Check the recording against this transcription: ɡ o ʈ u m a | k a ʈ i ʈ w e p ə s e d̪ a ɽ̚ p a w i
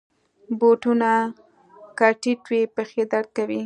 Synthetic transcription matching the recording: b o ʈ u n a | k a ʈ i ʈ w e p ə x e d̪ a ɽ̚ k a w i